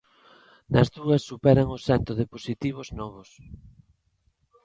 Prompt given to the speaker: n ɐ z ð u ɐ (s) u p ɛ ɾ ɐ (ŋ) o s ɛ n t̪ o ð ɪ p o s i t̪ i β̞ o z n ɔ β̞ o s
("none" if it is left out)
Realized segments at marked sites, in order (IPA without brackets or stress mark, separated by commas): sː, ŋ